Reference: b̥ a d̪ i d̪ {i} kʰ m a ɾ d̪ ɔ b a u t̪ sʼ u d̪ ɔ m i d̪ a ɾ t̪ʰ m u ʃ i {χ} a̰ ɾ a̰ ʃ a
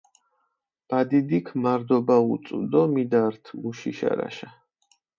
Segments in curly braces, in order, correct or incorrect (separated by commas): correct, incorrect